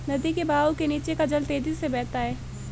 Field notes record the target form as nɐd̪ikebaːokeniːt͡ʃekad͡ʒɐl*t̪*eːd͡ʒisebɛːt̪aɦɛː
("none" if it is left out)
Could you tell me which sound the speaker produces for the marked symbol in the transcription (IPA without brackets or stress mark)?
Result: t̪